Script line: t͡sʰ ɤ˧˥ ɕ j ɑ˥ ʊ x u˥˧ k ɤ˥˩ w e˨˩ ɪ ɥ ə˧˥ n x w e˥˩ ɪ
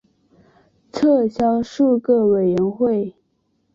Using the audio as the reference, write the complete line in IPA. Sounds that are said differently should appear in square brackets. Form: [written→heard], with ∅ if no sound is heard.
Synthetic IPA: t͡sʰ [ɤ˧˥→ɤ˥˩] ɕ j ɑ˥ ʊ [x→ʂ] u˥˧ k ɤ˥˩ w e˨˩ ɪ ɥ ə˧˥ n x w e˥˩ ɪ